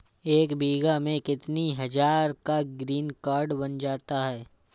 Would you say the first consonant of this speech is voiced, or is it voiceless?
voiceless